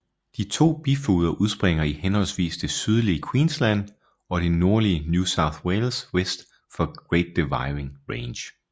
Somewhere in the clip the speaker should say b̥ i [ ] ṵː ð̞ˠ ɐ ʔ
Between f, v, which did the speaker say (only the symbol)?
f